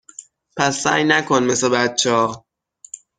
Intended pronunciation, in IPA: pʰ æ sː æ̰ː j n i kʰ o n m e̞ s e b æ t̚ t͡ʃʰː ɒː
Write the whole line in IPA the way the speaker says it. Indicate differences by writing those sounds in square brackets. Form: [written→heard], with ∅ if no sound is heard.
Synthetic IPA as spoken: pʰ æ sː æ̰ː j n [i→æ] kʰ o n m e̞ s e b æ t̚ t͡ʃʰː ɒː